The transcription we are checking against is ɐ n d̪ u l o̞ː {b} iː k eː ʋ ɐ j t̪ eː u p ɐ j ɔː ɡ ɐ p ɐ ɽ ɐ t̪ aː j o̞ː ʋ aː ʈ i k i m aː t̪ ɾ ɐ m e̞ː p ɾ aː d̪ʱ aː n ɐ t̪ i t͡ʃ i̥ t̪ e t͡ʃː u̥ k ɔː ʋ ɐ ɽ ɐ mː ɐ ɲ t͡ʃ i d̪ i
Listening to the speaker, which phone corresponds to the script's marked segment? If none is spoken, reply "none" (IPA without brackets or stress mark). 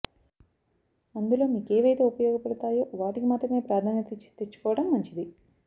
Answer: m